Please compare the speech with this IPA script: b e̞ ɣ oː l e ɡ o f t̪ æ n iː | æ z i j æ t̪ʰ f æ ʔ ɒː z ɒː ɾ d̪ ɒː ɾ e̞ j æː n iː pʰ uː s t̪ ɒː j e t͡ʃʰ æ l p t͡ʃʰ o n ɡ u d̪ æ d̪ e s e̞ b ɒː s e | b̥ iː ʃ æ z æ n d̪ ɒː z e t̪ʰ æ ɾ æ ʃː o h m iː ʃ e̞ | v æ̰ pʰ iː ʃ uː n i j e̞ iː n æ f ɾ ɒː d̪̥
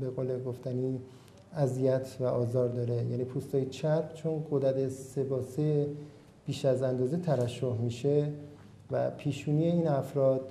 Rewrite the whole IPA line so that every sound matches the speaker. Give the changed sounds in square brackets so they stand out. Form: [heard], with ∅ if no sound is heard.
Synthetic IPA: b e̞ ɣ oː l e ɡ o f t̪ æ n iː | æ z i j æ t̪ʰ [v] æ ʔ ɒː z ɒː ɾ d̪ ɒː ɾ e̞ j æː n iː pʰ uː s t̪ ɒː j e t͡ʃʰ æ [ɾ] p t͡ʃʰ o n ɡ [o] d̪ æ d̪ e s e̞ b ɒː s e | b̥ iː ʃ æ z æ n d̪ ɒː z e t̪ʰ æ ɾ æ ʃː o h m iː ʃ e̞ | v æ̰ pʰ iː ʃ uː n i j e̞ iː n æ f ɾ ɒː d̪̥